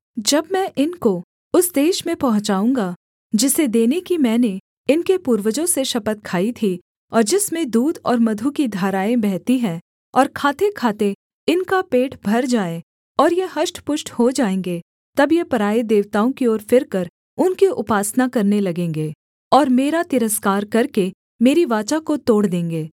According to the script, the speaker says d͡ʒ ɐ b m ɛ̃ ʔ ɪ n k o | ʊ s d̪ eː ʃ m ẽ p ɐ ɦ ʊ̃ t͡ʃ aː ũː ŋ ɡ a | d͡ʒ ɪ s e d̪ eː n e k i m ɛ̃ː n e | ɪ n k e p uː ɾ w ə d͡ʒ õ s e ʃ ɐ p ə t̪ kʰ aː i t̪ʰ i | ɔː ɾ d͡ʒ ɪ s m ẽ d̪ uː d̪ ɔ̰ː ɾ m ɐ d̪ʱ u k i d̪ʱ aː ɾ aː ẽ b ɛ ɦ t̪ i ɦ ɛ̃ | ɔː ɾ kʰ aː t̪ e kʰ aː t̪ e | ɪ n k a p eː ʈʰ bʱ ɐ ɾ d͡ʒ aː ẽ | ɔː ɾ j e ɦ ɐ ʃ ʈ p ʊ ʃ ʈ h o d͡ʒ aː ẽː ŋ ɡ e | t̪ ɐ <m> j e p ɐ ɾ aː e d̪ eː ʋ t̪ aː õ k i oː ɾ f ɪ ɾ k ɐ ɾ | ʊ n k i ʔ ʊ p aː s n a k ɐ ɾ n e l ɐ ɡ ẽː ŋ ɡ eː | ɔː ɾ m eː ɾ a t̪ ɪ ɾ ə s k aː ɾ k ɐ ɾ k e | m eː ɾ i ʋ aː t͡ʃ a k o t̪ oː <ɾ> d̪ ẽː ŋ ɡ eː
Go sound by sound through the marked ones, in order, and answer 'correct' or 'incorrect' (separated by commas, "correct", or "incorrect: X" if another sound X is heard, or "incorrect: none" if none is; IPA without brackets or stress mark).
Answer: incorrect: b, incorrect: ɽ